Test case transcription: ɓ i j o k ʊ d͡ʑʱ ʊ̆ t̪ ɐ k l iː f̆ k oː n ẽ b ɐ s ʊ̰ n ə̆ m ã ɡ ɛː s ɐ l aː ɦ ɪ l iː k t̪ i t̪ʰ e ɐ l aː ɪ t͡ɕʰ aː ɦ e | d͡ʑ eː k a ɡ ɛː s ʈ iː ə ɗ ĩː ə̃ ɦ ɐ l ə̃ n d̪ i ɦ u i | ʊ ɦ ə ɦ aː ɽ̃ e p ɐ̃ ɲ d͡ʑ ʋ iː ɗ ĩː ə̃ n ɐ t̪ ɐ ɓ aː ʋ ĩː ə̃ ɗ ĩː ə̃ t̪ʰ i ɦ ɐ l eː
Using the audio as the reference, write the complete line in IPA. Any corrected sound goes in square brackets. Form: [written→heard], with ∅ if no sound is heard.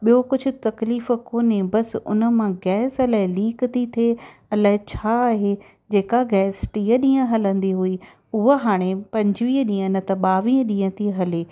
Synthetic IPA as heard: ɓ i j o k ʊ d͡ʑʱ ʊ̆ t̪ ɐ k l iː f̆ k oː n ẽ b ɐ s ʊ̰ n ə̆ m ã ɡ ɛː s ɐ l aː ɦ ɪ l iː k t̪ i t̪ʰ e ɐ l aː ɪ t͡ɕʰ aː ɦ e | d͡ʑ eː k a ɡ ɛː s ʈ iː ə ɗ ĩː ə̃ ɦ ɐ l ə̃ n d̪ i ɦ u i | ʊ ɦ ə ɦ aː ɽ̃ e p ɐ̃ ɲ d͡ʑ ʋ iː ɗ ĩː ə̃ n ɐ t̪ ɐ ɓ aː ʋ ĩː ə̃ ɗ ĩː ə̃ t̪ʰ i ɦ ɐ l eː